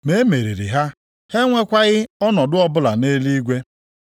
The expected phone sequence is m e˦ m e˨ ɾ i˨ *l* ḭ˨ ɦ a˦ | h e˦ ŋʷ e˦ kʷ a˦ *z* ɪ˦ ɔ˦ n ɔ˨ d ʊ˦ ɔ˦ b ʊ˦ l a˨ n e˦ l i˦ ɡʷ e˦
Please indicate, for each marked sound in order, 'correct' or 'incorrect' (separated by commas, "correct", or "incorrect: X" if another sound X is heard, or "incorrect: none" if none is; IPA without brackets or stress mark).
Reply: incorrect: ɾ, incorrect: ɣ